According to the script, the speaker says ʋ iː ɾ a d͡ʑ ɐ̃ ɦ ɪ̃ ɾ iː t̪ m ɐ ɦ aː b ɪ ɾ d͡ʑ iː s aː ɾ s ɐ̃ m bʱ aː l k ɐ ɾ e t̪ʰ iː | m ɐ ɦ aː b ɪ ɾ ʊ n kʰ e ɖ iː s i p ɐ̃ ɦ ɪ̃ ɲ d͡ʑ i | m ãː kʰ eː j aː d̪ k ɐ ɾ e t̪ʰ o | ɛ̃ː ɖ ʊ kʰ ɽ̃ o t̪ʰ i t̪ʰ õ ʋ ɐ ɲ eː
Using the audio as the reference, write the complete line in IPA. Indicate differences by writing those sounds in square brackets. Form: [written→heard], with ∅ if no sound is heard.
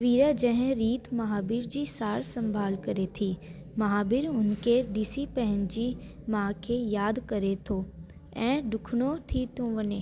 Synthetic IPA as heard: ʋ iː ɾ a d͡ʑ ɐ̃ ɦ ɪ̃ ɾ iː t̪ m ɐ ɦ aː b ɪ ɾ d͡ʑ iː s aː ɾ s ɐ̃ m bʱ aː l k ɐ ɾ e t̪ʰ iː | m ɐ ɦ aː b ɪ ɾ ʊ n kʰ e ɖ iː s i p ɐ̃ ɦ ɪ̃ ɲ d͡ʑ i | m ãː kʰ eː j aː d̪ k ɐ ɾ e t̪ʰ o | ɛ̃ː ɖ ʊ kʰ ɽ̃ o t̪ʰ i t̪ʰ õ ʋ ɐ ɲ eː